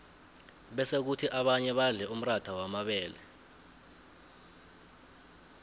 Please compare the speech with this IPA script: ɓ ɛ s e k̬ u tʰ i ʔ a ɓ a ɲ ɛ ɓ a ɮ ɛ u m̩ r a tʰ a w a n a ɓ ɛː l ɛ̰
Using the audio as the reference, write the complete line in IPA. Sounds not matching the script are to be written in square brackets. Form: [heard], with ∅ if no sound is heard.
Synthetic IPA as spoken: ɓ ɛ s e k̬ u tʰ i ʔ a ɓ a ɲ ɛ ɓ a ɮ ɛ u m̩ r a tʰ a w a [m] a ɓ ɛː l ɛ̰